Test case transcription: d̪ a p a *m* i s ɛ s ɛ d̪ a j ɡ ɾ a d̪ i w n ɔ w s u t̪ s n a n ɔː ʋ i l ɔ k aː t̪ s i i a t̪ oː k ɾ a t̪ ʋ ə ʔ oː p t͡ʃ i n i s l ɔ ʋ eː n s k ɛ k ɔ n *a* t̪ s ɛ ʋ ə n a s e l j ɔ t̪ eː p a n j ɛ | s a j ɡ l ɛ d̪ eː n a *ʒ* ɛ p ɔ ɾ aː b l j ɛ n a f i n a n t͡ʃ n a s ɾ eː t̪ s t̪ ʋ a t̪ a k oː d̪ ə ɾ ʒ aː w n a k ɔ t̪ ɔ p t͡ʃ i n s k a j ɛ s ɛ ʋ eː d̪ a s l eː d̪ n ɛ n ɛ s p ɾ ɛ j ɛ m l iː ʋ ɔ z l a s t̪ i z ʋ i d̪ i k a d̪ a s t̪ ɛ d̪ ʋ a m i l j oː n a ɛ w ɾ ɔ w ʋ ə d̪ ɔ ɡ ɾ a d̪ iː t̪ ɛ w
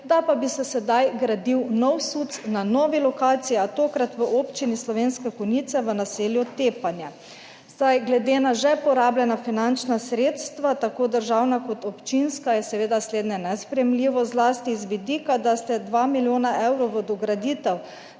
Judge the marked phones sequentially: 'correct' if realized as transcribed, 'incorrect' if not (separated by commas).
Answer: incorrect, incorrect, correct